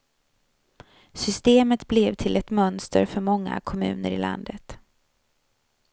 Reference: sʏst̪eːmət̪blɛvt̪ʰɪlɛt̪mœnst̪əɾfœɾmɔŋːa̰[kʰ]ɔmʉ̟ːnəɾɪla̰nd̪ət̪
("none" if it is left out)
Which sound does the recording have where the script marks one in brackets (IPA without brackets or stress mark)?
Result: kʰ